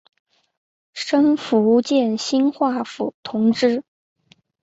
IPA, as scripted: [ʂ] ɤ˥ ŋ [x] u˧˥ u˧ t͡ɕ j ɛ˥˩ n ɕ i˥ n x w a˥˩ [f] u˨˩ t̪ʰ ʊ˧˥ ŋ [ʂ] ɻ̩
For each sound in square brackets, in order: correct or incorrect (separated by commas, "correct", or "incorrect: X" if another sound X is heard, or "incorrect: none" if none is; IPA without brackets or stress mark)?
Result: correct, incorrect: f, correct, incorrect: ʈ͡ʂ